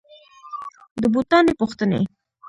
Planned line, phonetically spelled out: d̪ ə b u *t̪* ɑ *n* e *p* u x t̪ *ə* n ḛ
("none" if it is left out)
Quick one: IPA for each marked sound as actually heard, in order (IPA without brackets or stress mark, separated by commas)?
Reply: t̪, n, p, ə